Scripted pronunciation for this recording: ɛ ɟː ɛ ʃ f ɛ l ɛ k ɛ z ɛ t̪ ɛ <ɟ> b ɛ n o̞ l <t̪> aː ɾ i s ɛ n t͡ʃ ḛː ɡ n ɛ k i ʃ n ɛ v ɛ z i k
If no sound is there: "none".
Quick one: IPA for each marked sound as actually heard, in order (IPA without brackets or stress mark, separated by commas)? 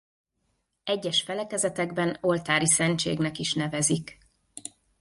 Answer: ɡ, t̪